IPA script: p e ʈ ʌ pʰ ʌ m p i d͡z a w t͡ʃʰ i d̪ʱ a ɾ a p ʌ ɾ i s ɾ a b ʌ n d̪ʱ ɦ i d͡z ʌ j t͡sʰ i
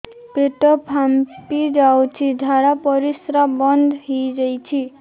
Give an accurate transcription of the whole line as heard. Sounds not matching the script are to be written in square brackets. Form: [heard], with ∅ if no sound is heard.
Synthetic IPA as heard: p e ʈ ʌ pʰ [a] m p i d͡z a w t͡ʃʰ i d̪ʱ a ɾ a p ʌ ɾ i s ɾ a b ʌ n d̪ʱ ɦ i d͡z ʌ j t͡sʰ i

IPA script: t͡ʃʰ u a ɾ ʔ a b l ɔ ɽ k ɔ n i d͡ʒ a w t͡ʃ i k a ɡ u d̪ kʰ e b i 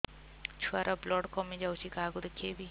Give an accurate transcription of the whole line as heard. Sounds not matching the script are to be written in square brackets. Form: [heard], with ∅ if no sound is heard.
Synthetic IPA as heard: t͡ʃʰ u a ɾ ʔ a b l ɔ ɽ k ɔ [m] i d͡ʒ a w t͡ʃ i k a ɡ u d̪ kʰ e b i

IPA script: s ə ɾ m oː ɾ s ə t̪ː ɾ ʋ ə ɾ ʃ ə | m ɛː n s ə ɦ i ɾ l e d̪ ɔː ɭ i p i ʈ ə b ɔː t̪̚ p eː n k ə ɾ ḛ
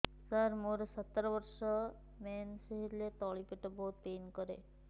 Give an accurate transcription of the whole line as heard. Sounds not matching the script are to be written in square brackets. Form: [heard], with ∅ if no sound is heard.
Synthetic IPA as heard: s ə ɾ m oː ɾ s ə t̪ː ɾ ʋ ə ɾ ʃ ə | m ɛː n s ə ɦ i ɾ l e [t̪] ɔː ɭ i p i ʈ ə b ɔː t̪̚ p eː n k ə ɾ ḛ

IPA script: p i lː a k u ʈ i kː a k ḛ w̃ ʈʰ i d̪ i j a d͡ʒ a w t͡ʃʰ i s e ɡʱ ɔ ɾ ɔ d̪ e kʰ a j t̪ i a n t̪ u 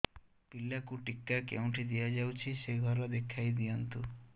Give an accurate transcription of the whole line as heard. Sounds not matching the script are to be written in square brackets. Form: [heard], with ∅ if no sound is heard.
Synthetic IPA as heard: p i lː a k u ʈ i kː a k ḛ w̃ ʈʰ i d̪ i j a d͡ʒ a w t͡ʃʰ i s e ɡʱ ɔ ɾ ɔ d̪ e kʰ a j [d̪] i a n t̪ u

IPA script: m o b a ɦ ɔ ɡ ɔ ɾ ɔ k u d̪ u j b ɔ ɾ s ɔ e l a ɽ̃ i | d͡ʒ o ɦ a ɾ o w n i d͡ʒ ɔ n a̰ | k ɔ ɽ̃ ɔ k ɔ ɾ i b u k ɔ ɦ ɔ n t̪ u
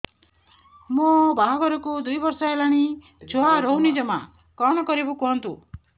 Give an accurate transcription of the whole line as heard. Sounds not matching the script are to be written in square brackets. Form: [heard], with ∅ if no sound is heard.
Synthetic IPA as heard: m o b a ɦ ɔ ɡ ɔ ɾ ɔ k u d̪ u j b ɔ ɾ s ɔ e l a ɽ̃ i | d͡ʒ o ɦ a ɾ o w n i d͡ʒ ɔ [m] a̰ | k ɔ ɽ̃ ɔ k ɔ ɾ i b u k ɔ ɦ ɔ n t̪ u

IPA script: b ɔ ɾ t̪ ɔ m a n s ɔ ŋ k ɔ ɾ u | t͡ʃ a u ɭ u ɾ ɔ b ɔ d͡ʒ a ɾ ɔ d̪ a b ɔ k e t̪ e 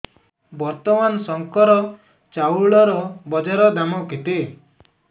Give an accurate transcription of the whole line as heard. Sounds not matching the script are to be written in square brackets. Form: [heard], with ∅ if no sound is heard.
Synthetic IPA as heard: b ɔ ɾ t̪ ɔ m a n s ɔ ŋ k ɔ ɾ [ɔ] | t͡ʃ a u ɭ [ɔ] ɾ ɔ b ɔ d͡ʒ a ɾ ɔ d̪ a [m] ɔ k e t̪ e

